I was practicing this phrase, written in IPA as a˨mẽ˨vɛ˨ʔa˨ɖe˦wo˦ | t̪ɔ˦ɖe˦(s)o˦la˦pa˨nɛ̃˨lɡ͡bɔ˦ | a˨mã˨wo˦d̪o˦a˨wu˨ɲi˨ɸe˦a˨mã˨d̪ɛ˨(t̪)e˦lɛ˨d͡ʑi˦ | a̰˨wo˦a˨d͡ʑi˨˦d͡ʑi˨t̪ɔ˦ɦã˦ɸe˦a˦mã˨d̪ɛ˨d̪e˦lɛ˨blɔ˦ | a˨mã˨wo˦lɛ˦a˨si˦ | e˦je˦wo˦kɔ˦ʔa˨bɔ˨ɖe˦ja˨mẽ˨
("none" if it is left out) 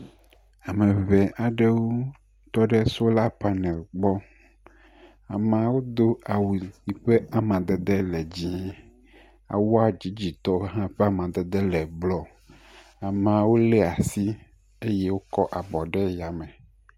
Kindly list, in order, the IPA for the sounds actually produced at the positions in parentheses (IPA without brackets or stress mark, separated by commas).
s, d̪